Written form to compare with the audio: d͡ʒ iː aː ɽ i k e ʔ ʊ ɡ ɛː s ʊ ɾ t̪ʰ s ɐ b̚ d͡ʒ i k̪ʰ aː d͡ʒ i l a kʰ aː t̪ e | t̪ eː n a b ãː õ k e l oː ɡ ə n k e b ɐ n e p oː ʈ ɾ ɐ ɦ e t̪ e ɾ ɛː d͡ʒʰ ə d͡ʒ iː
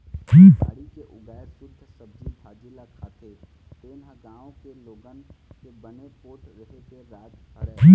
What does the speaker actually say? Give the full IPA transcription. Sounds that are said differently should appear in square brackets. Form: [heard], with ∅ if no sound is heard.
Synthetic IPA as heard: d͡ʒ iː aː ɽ i k e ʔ ʊ ɡ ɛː s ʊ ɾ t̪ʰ s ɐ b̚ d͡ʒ i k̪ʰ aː d͡ʒ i l a kʰ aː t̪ e | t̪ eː n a [ɡ] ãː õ k e l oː ɡ ə n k e b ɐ n e p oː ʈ ɾ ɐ ɦ e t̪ e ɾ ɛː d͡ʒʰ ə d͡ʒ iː